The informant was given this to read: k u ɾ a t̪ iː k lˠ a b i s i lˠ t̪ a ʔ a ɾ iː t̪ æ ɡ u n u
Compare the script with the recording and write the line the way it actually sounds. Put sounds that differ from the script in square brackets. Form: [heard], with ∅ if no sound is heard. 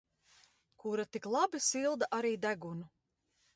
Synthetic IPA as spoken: k u ɾ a t̪ [i] k lˠ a b i s i lˠ [d̪] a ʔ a ɾ iː [d̪] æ ɡ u n u